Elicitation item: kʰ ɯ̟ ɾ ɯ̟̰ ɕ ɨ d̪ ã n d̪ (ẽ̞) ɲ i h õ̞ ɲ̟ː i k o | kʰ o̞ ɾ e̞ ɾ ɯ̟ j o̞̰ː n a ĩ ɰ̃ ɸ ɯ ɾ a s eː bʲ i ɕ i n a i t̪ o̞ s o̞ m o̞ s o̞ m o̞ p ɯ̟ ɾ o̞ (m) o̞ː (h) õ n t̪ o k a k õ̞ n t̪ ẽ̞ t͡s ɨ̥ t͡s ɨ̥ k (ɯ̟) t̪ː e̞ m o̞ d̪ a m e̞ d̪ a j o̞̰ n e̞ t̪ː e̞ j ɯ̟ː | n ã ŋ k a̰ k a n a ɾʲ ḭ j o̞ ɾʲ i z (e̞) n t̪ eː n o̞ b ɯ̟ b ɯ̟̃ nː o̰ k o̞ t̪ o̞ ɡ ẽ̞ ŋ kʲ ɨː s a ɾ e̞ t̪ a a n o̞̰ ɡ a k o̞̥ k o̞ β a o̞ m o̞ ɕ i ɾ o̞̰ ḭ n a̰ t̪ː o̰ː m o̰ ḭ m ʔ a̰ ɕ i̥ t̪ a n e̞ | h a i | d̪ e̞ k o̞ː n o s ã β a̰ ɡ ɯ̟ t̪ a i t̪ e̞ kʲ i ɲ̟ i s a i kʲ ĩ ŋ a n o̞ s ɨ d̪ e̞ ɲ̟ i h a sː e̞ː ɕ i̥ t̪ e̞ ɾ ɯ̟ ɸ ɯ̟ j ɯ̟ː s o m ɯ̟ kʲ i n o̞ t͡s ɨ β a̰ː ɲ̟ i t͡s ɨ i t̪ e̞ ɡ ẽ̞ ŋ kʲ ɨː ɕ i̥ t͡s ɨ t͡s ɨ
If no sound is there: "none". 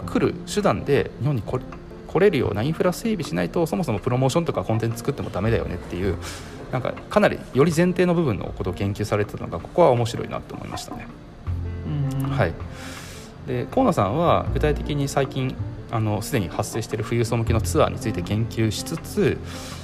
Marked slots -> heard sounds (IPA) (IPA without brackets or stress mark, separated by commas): e̞, m, ɕ, ɯ̟, ẽ̞